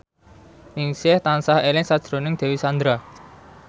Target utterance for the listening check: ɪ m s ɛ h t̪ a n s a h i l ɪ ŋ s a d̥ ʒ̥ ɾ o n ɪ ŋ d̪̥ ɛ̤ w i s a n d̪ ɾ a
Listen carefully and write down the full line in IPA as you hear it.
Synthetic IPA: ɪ ŋ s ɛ h t̪ a n s a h e l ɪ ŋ s a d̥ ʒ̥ ɾ o n ɪ ŋ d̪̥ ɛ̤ w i s a n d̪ ɾ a